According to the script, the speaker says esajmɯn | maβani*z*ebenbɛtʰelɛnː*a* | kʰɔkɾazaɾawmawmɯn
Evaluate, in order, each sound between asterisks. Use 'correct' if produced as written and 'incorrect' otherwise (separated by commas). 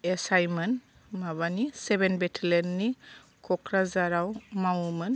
incorrect, incorrect